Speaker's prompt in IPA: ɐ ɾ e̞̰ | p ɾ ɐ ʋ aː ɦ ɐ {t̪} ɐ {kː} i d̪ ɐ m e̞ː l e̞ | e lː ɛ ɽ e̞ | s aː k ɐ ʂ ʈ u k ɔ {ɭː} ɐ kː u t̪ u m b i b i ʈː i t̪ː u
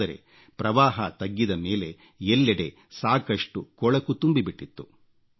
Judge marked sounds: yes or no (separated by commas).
yes, no, no